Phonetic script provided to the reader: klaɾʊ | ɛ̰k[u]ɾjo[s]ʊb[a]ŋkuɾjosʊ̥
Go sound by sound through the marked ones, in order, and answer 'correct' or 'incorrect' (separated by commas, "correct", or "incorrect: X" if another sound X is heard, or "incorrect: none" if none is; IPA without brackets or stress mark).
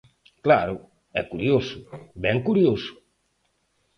correct, correct, incorrect: ɛ